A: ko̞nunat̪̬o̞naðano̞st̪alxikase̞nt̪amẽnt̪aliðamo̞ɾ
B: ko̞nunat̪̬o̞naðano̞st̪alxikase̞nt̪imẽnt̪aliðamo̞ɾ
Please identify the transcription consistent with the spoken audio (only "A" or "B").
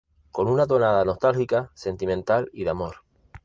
B